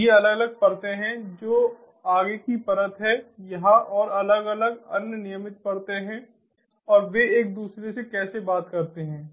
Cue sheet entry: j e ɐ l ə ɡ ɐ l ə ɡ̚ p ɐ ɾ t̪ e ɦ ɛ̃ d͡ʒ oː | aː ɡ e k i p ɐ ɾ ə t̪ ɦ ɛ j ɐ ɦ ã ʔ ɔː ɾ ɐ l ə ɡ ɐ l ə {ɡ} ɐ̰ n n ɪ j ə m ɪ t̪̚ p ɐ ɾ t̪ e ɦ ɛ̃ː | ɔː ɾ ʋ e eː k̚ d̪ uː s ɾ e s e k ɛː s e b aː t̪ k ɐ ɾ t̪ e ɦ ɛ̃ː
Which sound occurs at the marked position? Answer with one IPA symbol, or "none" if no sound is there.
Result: ɡ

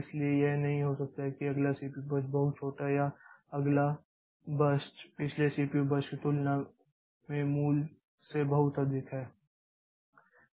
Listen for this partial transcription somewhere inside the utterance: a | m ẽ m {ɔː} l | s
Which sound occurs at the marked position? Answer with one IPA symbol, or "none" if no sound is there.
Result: uː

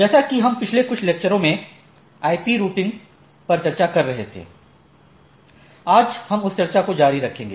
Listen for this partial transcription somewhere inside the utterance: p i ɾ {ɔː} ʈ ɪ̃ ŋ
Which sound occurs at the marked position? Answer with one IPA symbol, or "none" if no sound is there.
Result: uː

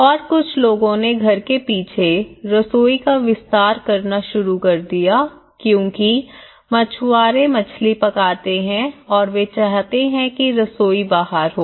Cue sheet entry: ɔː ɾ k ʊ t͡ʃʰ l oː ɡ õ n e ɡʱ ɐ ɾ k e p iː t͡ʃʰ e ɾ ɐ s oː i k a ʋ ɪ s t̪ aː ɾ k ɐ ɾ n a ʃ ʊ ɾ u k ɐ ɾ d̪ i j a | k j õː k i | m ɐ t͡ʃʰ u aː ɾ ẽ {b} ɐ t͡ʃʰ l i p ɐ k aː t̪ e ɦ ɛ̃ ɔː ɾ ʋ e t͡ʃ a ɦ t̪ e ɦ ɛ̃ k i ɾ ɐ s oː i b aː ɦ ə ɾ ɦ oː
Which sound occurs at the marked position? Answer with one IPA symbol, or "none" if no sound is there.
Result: m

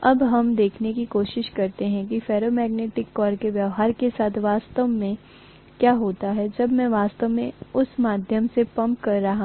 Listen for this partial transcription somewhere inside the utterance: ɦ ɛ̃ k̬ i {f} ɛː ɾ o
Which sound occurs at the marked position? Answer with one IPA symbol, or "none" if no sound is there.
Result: f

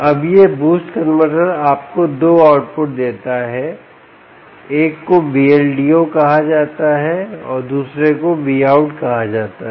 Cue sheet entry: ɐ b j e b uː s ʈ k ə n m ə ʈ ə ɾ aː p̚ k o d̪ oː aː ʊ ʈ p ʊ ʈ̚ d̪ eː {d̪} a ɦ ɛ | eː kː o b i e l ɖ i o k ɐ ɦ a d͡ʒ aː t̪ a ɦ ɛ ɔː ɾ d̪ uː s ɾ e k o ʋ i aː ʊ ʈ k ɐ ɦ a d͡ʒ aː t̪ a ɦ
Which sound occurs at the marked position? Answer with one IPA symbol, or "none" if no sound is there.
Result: t̪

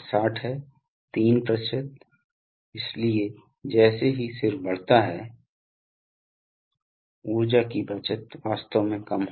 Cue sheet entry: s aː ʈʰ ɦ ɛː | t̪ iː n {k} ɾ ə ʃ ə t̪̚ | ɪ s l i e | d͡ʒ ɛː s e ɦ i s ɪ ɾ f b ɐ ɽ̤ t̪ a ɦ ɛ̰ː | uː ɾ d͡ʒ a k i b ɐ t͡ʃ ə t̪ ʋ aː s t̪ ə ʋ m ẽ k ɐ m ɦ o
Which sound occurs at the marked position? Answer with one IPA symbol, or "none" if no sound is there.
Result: p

